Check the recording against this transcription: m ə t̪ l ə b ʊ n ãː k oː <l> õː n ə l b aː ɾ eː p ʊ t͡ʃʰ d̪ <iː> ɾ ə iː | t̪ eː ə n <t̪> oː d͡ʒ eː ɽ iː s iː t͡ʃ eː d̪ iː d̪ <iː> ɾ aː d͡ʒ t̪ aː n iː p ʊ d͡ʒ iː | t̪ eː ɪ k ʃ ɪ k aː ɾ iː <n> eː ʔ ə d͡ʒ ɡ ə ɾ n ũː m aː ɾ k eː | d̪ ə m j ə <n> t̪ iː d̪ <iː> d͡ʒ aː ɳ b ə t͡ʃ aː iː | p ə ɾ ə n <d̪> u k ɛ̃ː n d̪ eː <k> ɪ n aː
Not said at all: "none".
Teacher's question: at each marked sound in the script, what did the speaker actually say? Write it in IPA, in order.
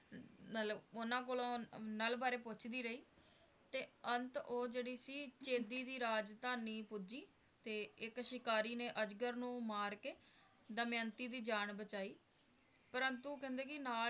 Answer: l, iː, t̪, iː, n, n, iː, t̪, k

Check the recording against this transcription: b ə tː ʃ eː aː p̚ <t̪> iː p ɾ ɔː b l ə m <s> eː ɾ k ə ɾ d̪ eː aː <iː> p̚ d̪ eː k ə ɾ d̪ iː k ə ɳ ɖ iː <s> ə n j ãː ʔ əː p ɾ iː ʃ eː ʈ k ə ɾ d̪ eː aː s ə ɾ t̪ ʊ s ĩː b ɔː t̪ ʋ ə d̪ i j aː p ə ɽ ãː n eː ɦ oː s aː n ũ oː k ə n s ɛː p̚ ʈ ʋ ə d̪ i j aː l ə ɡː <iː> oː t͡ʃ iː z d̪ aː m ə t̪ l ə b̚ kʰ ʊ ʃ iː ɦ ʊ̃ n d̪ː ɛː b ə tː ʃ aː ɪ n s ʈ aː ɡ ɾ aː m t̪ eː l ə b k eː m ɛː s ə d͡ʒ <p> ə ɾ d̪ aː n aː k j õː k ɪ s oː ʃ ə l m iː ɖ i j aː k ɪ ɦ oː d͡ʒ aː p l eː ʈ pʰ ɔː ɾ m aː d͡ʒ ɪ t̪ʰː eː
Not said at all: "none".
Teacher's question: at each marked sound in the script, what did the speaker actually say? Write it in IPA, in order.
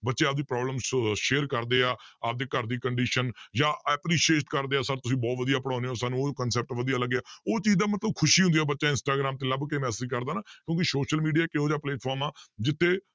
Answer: d̪, ʃ, aː, ʃ, aː, k

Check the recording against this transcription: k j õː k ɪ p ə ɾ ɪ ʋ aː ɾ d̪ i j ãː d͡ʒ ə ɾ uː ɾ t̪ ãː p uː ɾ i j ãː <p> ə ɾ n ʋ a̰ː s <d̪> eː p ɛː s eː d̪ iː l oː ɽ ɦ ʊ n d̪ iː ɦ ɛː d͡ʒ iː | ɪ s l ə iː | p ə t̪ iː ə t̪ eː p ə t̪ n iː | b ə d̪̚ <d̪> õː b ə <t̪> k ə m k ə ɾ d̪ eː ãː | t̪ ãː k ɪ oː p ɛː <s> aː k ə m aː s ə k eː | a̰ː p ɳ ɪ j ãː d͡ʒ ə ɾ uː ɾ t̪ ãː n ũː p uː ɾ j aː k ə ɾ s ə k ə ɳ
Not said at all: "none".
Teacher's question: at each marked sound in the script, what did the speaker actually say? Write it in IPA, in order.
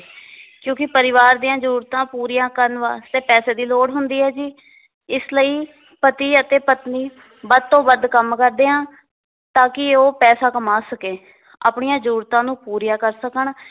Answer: k, t̪, t̪, d̪, s

